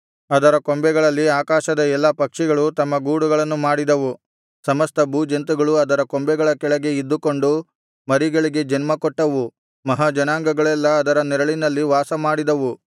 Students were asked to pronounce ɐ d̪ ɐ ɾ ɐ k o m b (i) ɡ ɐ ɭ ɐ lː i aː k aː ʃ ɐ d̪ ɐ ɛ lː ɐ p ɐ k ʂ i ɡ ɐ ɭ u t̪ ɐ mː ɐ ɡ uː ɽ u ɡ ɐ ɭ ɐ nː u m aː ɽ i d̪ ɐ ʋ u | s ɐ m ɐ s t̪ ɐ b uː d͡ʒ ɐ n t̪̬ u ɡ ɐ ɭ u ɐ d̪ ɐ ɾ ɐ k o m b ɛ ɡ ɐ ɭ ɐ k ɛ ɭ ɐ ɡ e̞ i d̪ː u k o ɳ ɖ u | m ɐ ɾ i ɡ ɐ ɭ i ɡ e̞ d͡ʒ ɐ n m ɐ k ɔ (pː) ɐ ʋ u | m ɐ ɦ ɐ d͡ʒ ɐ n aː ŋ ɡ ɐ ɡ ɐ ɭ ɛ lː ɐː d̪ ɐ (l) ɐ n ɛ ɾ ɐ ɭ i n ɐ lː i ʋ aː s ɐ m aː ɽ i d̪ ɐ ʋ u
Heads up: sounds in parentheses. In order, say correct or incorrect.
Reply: incorrect: ɛ, incorrect: ʈː, incorrect: ɾ

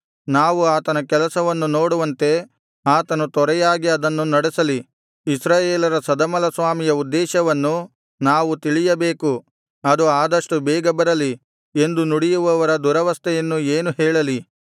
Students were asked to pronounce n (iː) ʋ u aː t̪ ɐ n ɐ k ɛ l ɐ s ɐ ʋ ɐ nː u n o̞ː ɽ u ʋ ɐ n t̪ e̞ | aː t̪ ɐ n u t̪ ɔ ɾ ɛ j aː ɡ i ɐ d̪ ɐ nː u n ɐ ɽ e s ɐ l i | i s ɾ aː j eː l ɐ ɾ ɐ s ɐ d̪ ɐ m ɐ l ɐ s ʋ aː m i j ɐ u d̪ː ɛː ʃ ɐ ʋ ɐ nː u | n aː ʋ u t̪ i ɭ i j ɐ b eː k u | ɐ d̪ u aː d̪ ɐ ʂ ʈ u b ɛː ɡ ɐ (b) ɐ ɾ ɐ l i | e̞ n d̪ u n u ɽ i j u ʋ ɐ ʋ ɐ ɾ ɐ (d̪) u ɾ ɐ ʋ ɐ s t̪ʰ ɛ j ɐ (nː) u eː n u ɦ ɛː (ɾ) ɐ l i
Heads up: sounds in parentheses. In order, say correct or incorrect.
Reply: incorrect: aː, correct, correct, correct, incorrect: ɭ

